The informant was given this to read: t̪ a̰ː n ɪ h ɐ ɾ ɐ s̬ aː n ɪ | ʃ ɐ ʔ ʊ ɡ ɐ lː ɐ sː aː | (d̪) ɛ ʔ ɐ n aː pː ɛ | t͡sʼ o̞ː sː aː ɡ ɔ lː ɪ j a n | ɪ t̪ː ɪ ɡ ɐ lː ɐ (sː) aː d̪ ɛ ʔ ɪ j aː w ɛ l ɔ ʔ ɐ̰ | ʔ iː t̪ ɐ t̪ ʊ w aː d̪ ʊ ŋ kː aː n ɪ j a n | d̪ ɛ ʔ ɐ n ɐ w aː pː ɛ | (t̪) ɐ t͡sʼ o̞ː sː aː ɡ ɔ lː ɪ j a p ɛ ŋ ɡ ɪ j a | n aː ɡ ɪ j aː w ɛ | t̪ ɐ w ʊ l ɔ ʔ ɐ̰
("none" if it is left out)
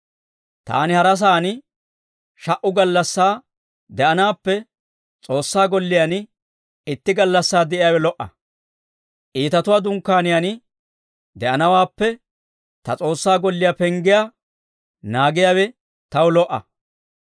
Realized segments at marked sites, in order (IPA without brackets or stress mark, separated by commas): d̪, sː, t̪